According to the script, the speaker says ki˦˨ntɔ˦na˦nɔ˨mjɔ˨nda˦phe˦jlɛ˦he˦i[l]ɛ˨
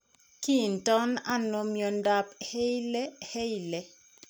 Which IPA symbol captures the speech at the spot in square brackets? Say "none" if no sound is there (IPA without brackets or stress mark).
l